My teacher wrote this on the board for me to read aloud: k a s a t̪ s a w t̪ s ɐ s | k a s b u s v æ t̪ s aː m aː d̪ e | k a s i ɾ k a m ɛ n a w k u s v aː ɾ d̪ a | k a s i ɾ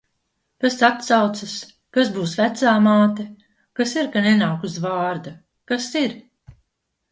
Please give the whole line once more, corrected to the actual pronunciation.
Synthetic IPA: k a s a t̪ s a w t̪ s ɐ s | k a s b uː s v æ t̪ s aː m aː t̪ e | k a s i ɾ k a n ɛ n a w k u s v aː ɾ d̪ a | k a s i ɾ